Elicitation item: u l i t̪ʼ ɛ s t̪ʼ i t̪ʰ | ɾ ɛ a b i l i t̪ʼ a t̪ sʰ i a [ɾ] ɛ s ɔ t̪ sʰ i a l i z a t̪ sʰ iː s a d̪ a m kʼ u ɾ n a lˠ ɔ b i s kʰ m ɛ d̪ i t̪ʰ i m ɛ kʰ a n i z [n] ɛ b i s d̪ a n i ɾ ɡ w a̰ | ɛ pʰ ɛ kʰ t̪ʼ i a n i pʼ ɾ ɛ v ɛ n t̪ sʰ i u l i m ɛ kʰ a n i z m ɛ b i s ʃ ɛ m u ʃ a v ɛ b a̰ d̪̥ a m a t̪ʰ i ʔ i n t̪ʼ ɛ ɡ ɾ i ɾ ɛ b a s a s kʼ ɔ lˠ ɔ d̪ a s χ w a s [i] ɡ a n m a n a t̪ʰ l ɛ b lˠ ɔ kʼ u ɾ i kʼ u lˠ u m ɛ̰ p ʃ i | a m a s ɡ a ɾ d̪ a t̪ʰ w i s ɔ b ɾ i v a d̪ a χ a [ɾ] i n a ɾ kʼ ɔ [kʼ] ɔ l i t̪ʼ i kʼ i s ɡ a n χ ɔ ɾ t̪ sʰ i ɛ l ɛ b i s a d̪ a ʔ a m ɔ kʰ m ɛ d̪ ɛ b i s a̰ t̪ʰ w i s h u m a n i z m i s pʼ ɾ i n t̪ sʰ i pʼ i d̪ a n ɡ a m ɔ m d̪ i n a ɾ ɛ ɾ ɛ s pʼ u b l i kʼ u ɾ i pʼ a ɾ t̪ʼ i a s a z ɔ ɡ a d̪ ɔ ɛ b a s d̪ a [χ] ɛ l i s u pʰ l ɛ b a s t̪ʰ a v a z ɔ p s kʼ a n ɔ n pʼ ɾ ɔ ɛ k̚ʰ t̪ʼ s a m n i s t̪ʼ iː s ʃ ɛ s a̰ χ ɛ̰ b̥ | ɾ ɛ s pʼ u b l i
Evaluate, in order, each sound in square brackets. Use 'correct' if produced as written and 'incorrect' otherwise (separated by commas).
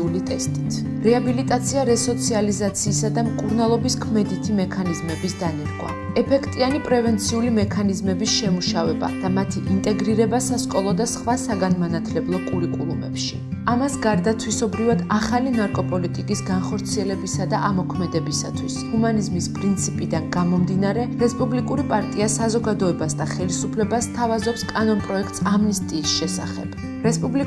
correct, incorrect, incorrect, incorrect, incorrect, correct